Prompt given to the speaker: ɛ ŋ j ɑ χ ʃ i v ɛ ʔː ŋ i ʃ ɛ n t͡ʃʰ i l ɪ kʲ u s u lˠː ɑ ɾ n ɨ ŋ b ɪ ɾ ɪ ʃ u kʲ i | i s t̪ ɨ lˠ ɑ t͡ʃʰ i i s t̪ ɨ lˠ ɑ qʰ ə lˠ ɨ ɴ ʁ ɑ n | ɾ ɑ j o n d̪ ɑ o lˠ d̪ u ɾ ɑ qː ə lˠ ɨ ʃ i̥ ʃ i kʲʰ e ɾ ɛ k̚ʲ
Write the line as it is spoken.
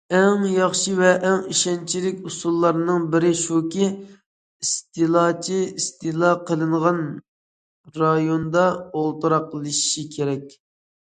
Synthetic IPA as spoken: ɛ ŋ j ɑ χ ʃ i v ɛ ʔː ŋ i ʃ ɛ n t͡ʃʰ i l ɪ kʲ u s u lˠː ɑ ɾ n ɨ ŋ b ɪ ɾ ɪ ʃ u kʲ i | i s t̪ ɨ lˠ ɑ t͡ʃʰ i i s t̪ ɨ lˠ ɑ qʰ ə lˠ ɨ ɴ ʁ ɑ n | ɾ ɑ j o n d̪ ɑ o lˠ t̪ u ɾ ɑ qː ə lˠ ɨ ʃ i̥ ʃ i kʲʰ e ɾ ɛ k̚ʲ

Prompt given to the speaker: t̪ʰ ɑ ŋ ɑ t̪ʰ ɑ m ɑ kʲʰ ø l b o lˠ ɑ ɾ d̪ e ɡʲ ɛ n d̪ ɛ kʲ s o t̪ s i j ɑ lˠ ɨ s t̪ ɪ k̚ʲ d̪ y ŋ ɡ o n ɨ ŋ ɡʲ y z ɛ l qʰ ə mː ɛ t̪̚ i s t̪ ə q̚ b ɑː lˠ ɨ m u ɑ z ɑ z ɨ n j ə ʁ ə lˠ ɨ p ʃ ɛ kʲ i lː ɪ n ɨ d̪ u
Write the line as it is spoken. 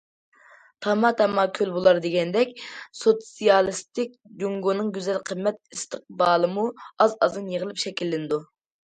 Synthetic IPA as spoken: t̪ʰ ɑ m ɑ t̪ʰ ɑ m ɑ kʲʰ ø l b o lˠ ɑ ɾ d̪ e ɡʲ ɛ n d̪ ɛ kʲ s o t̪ s i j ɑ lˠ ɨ s t̪ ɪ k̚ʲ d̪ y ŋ ɡ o n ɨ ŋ ɡʲ y z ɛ l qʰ ə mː ɛ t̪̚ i s t̪ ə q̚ b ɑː lˠ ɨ m u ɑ z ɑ z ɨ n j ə ʁ ə lˠ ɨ p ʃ ɛ kʲ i lː ɪ n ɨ d̪ u

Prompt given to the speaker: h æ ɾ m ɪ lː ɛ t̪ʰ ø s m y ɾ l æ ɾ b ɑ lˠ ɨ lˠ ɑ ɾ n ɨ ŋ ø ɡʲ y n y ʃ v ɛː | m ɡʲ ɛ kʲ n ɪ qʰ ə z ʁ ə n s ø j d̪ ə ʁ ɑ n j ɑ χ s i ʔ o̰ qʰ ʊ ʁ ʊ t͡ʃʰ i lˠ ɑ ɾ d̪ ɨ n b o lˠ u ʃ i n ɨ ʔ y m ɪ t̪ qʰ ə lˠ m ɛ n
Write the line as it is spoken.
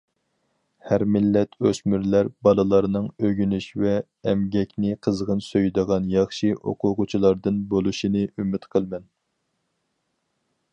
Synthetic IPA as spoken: h æ ɾ m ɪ lː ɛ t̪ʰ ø s m y ɾ l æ ɾ b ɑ lˠ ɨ lˠ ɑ ɾ n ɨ ŋ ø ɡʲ y n y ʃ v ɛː | m ɡʲ ɛ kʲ n ɪ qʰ ə z ʁ ə n s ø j d̪ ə ʁ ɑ n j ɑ χ ʃ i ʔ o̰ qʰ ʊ ʁ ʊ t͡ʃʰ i lˠ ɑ ɾ d̪ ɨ n b o lˠ u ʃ i n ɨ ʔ y m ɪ t̪ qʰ ə lˠ m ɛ n

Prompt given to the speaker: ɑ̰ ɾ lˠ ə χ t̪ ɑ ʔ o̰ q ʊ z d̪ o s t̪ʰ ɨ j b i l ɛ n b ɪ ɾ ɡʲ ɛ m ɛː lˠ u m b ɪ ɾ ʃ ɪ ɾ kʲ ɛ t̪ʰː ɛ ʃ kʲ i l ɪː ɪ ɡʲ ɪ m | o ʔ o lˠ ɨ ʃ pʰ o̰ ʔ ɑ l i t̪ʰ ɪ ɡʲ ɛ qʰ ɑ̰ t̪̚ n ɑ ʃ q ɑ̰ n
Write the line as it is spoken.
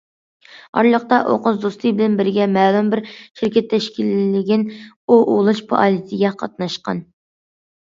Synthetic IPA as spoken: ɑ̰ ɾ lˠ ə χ t̪ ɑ ʔ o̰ q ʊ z d̪ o s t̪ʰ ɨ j b ɪ l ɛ n b ɪ ɾ ɡʲ ɛ m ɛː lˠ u m b ɪ ɾ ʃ ɪ ɾ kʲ ɛ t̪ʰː ɛ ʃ kʲ i l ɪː ɪ ɡʲ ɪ n | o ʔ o lˠ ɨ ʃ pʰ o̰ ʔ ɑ l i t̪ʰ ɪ ɡʲ ɛ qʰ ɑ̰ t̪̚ n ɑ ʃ q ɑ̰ n

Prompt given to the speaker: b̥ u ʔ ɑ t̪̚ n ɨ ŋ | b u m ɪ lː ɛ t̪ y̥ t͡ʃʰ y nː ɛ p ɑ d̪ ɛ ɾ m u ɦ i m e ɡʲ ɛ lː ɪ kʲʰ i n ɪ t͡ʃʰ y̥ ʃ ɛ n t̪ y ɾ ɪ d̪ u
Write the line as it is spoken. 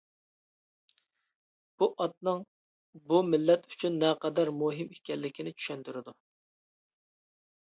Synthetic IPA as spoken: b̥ u ʔ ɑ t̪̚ n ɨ ŋ | b u m ɪ lː ɛ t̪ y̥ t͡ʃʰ y nː ɛ q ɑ d̪ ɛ ɾ m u ɦ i m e kʲ ɛ lː ɪ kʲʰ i n ɪ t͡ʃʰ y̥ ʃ ɛ n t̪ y ɾ ɪ d̪ u

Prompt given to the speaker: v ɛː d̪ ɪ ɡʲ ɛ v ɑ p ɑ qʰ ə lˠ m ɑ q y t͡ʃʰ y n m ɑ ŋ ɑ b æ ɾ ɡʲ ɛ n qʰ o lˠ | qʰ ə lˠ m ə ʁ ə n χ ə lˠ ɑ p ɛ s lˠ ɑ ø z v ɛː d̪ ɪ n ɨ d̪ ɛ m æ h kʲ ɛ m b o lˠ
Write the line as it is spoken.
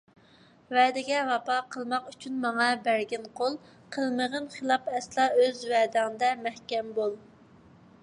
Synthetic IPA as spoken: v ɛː d̪ ɪ ɡʲ ɛ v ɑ p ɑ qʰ ə lˠ m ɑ q y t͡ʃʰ y n m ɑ ŋ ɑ b æ ɾ ɡʲ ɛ n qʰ o lˠ | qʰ ə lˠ m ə ʁ ə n χ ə lˠ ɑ p ɛ s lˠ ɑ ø z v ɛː d̪ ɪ ŋ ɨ d̪ ɛ m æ h kʲ ɛ m b o lˠ

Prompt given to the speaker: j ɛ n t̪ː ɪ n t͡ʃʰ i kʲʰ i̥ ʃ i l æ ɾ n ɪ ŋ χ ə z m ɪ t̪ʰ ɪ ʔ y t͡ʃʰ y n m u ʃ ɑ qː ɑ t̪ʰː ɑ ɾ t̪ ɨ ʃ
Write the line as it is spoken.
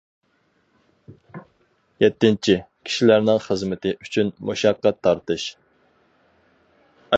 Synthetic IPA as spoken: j ɛ t̪ː ɪ n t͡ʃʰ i kʲʰ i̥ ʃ i l æ ɾ n ɪ ŋ χ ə z m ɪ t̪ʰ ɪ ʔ y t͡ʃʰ y n m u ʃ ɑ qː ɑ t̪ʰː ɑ ɾ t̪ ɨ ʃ

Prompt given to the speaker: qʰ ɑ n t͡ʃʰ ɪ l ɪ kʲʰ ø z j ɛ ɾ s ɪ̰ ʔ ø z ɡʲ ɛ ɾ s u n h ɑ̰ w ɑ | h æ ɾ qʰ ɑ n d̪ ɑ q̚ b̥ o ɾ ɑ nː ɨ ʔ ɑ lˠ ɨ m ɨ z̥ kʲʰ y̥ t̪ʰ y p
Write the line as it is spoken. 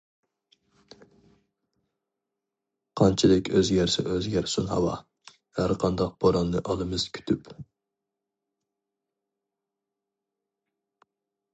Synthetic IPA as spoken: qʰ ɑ n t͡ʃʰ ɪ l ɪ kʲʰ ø z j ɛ ɾ s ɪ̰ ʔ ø z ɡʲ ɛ ɾ s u n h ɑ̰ w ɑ | h æ ɾ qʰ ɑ n d̪ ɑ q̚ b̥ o ɾ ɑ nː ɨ ʔ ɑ lˠ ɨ m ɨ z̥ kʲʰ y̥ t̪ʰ y p

